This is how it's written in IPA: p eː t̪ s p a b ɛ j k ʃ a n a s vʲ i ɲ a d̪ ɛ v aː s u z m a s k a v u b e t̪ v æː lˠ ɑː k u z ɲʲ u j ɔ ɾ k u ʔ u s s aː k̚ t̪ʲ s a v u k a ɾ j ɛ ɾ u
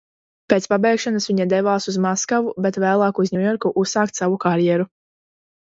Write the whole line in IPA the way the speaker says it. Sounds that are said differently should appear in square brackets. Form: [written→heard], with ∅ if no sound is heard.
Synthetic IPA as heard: p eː t̪ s p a b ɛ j k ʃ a n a s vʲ i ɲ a d̪ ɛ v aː s u z m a s k a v u b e t̪ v æː lˠ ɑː k u z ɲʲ u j ɔ ɾ k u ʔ u s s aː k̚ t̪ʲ s a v u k a ɾ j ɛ ɾ u